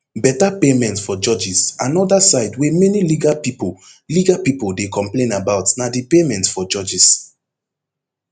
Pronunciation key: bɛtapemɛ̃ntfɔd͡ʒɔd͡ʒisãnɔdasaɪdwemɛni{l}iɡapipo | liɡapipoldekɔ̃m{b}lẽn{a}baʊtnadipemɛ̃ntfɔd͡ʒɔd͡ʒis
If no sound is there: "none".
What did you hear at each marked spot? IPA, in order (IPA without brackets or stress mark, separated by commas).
l, p, a